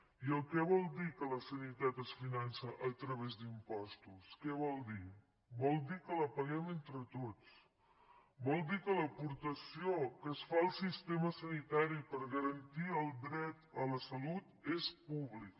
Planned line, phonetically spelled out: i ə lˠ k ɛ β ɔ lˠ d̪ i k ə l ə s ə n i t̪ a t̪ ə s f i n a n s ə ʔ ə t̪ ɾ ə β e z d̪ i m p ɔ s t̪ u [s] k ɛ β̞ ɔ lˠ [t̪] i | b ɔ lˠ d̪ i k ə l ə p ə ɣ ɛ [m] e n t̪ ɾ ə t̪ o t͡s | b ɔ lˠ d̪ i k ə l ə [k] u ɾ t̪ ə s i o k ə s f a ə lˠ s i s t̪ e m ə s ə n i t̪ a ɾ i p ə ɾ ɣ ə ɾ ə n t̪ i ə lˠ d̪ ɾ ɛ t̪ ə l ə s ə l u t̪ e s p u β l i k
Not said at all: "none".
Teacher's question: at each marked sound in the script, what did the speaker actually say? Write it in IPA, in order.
s, d̪, m, p

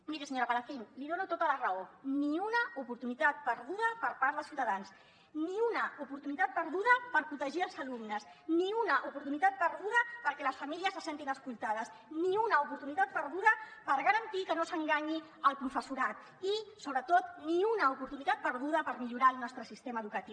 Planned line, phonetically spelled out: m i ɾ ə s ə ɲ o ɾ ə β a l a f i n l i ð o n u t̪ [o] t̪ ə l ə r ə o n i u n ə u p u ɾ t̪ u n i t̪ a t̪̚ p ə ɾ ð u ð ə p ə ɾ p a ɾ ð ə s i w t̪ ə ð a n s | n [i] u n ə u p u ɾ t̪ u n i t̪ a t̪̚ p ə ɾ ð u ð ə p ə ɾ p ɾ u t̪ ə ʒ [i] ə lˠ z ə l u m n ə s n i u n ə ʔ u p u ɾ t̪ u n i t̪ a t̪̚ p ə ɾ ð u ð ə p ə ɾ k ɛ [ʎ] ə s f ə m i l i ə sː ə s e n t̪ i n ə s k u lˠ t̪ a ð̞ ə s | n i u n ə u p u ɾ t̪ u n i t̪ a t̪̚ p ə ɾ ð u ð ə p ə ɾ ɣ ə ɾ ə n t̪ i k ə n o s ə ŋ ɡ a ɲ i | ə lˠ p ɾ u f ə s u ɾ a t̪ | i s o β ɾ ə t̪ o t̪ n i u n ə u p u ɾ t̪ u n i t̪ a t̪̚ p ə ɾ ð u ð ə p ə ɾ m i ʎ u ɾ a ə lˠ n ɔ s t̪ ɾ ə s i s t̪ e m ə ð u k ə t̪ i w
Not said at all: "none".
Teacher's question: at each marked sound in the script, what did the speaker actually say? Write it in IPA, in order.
o, i, i, l

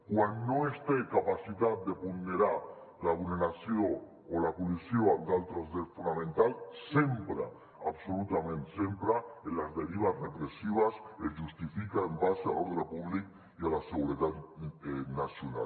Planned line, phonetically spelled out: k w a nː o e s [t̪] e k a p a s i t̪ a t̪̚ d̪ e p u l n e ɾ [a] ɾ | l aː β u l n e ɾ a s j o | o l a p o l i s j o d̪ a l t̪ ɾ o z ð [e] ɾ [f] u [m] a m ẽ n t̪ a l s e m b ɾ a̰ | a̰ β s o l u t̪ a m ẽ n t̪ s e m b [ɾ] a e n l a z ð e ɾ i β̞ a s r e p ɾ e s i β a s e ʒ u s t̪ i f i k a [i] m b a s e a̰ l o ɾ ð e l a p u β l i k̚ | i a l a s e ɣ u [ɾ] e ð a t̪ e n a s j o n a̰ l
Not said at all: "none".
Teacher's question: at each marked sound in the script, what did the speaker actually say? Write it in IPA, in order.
t̪, a, e, f, n, ɾ, e, ɾ

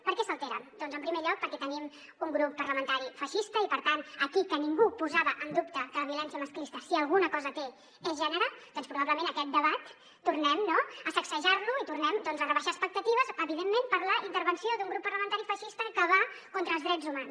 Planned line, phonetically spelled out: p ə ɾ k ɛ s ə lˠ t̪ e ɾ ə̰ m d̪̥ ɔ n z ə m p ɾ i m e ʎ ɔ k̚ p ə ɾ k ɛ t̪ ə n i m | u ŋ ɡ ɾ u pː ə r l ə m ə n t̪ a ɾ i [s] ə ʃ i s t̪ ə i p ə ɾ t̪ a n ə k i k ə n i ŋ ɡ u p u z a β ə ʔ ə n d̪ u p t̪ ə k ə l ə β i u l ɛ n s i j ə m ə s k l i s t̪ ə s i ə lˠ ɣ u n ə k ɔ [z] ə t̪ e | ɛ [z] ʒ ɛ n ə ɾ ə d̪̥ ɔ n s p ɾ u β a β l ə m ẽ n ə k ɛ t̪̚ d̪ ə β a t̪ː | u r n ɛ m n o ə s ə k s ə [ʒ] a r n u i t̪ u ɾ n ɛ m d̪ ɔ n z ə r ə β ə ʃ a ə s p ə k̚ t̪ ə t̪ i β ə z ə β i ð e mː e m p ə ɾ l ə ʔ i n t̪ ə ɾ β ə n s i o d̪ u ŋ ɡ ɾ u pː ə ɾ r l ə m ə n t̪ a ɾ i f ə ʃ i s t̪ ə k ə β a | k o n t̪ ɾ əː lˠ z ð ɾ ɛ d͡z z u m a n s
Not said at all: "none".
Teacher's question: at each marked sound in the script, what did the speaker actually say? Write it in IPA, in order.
f, z, z, ʒ

